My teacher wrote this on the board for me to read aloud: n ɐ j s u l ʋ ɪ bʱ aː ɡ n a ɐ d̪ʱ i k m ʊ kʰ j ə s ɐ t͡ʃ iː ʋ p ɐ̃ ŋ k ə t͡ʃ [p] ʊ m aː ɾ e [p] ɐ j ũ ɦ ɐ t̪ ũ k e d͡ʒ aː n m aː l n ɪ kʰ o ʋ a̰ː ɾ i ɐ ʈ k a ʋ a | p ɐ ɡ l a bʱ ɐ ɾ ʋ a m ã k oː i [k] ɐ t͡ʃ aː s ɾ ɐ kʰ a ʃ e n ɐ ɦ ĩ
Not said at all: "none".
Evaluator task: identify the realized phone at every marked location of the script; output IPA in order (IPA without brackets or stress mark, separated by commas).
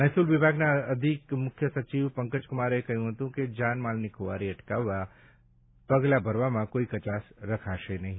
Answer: k, k, k